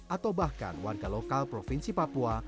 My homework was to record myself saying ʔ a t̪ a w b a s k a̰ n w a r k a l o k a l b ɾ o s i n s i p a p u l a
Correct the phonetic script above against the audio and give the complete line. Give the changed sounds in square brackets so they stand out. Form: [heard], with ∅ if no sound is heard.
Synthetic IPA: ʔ a t̪ a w b a [h] k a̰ n w a r [ɡ] a l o k a l [p] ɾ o [f] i n s i p a p u [∅] a

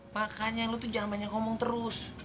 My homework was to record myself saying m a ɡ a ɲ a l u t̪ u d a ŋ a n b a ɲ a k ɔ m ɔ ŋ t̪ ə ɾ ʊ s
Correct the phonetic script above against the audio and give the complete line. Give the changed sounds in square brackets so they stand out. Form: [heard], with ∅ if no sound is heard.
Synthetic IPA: m a [k] a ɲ a l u t̪ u [d͡ʒ] a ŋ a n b a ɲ a k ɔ m ɔ ŋ t̪ ə ɾ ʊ s

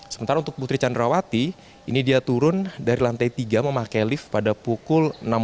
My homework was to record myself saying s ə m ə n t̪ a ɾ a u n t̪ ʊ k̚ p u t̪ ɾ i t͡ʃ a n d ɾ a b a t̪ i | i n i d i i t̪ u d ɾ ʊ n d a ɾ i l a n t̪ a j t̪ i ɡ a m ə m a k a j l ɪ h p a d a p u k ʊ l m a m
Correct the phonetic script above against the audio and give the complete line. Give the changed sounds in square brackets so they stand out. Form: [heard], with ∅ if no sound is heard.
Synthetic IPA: s ə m ə n t̪ a ɾ a u n t̪ ʊ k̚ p u t̪ ɾ i t͡ʃ a n d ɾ a [w] a t̪ i | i n i d i [a] t̪ u [∅] ɾ ʊ n d a ɾ i l a n t̪ a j t̪ i ɡ a m ə m a k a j l ɪ [f] p a d a p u k ʊ l [n] a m

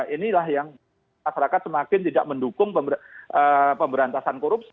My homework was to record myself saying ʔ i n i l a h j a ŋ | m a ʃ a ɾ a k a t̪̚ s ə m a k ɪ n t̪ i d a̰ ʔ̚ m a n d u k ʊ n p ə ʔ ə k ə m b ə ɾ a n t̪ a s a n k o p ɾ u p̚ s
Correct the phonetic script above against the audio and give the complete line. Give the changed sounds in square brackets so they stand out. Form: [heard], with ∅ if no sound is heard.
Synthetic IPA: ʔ i n i l a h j a ŋ | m a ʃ a ɾ a k a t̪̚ s ə m a k ɪ n t̪ i d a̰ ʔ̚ m [ə] n d u k ʊ [ŋ] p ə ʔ ə [p] ə m b ə ɾ a n t̪ a s a n k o [∅] ɾ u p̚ s

